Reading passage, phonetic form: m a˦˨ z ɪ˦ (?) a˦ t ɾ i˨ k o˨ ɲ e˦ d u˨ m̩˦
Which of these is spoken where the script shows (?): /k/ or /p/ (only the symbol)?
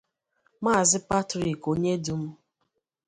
p